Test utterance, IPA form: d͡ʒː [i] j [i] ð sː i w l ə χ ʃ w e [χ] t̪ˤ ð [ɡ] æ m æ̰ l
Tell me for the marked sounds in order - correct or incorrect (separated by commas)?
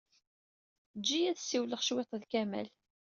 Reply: correct, incorrect, incorrect, incorrect